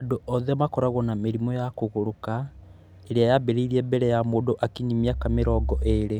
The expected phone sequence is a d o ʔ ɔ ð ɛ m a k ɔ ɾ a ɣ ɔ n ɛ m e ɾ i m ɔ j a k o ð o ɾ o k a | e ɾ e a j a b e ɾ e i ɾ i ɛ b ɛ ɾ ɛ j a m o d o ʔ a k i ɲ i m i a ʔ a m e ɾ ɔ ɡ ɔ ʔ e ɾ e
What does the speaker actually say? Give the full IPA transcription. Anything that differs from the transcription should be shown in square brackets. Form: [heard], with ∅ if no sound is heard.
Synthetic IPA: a d o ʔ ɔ ð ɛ m a k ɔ ɾ a ɣ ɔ n [a] m e ɾ i m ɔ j a k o [ɣ] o ɾ o k a | e ɾ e a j a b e ɾ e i ɾ i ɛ b ɛ ɾ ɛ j a m o d o ʔ a k i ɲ i m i a [k] a m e ɾ ɔ ɡ ɔ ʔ e ɾ e